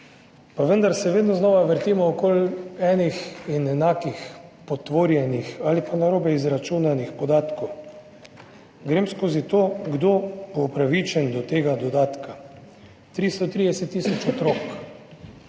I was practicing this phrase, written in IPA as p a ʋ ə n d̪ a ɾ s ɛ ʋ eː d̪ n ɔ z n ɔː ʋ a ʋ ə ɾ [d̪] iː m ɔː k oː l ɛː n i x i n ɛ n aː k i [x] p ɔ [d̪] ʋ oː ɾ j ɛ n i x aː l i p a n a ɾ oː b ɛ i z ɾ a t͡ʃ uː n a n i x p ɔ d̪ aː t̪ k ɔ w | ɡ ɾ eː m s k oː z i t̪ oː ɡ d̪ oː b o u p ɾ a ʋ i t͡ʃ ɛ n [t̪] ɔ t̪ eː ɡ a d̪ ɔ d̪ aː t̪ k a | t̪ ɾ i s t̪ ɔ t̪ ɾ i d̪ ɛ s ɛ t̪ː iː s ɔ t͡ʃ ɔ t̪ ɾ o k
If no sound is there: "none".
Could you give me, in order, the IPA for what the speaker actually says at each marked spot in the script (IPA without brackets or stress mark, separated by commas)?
t̪, x, t̪, d̪